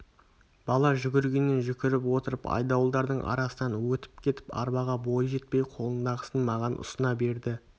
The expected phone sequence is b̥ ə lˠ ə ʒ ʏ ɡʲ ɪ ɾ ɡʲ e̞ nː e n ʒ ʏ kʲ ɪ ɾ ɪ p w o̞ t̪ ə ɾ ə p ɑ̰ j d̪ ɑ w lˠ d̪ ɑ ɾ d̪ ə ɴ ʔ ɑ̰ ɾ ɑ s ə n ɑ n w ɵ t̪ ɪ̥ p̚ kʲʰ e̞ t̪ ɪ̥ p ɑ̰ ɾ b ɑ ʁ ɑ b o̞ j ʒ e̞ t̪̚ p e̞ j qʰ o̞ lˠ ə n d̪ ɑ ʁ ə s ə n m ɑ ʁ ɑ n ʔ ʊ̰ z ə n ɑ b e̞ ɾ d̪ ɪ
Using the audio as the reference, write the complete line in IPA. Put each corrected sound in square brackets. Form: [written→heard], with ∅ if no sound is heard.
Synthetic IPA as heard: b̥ [ə→ɑ] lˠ [ə→ɑ] ʒ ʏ ɡʲ ɪ ɾ ɡʲ e̞ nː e n ʒ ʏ kʲ ɪ ɾ ɪ p w o̞ t̪ ə ɾ ə p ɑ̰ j d̪ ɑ w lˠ d̪ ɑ ɾ d̪ ə ɴ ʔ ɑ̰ ɾ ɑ s ə n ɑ n w ɵ t̪ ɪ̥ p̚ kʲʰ e̞ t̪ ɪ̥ p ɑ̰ ɾ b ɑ ʁ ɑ b o̞ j ʒ e̞ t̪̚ p e̞ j qʰ o̞ lˠ ə n d̪ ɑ ʁ ə s ə n m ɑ ʁ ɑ n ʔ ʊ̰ [z→s] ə n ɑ b e̞ ɾ d̪ ɪ